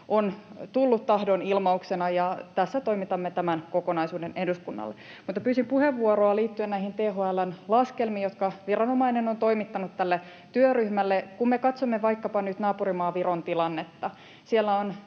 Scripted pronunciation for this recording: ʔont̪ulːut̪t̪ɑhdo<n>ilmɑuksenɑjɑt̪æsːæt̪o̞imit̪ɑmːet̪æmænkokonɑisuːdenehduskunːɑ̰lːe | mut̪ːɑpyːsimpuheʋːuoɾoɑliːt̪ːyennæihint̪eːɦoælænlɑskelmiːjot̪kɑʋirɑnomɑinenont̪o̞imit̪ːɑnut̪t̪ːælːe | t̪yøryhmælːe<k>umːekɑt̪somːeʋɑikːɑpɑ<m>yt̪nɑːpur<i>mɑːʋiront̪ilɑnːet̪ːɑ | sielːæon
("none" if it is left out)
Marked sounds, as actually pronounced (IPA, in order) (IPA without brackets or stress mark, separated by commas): n, k, n, i